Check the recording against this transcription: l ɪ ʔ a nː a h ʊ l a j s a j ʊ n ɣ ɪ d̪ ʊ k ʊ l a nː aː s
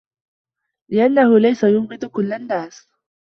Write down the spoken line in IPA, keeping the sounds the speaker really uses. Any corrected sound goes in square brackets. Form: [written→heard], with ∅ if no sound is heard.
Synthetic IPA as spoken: l ɪ ʔ a nː a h ʊ l a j s a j ʊ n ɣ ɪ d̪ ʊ k ʊ [l→lː] a nː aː s